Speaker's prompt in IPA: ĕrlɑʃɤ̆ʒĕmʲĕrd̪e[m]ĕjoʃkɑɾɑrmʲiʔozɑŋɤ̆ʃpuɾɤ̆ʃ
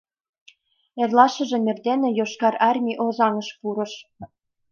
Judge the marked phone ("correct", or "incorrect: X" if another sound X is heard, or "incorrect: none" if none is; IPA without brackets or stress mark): incorrect: n